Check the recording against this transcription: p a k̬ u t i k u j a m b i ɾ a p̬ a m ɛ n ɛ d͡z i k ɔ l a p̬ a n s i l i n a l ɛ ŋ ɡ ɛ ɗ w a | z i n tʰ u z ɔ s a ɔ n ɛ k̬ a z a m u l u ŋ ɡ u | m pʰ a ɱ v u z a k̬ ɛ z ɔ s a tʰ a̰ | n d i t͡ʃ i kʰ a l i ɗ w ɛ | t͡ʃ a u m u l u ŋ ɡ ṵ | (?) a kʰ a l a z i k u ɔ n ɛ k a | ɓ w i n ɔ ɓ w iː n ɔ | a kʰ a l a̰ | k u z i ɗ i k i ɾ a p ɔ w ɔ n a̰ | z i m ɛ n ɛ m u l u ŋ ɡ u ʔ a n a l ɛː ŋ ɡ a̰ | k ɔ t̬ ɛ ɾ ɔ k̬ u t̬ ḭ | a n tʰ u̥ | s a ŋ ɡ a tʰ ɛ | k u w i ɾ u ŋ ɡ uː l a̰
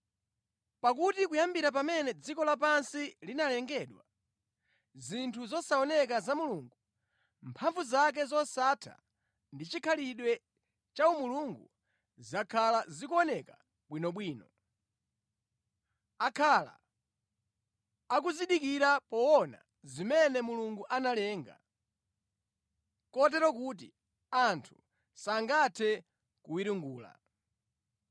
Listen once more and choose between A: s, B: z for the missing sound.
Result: B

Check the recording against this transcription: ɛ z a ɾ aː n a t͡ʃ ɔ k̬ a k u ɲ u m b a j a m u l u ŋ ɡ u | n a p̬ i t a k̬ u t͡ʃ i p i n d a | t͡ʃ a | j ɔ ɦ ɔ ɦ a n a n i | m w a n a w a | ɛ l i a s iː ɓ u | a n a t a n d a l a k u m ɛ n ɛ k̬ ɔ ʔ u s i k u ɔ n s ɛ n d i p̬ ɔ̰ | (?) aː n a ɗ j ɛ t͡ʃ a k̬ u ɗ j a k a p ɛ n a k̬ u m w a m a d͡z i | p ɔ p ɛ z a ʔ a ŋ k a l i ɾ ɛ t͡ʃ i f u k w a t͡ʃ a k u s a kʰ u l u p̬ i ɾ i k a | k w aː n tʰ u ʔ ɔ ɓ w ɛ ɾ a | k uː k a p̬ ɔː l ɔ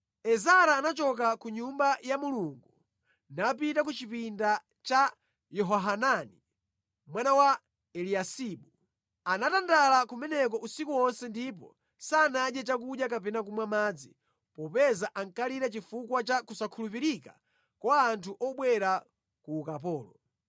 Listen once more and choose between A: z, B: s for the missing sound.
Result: B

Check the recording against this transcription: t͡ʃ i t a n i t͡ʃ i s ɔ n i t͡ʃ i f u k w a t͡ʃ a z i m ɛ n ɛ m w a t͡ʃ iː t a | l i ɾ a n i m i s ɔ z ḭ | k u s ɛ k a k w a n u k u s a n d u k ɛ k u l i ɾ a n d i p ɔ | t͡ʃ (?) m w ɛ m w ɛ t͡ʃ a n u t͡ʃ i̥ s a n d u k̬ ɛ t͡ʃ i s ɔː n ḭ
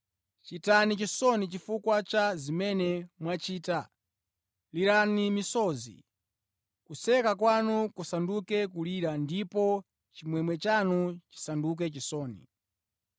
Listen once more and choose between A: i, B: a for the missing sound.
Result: A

